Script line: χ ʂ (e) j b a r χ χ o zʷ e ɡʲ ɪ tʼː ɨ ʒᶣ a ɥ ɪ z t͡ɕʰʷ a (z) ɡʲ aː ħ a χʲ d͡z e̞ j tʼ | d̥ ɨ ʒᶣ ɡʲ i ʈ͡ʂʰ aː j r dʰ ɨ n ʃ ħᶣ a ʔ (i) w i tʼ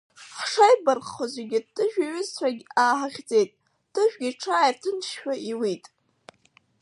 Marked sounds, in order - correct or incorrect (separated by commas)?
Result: incorrect, incorrect, correct